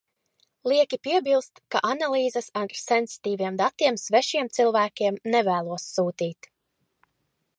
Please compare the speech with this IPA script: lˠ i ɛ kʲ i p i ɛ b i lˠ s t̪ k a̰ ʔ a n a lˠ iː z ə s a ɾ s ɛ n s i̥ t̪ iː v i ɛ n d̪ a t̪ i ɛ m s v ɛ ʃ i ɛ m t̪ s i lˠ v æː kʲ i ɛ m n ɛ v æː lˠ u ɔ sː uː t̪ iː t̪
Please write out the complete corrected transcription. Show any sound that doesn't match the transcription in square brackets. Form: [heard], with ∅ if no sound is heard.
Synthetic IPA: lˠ i ɛ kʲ i p i ɛ b i lˠ s t̪ k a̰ ʔ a n a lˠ iː z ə s a ɾ s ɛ n s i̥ t̪ iː v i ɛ [m] d̪ a t̪ i ɛ m s v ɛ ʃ i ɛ m t̪ s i lˠ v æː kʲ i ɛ m n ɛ v æː lˠ u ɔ sː uː t̪ iː t̪